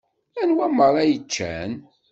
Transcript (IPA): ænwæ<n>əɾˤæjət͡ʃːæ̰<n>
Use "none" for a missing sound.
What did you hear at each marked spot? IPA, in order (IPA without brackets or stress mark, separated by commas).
m, n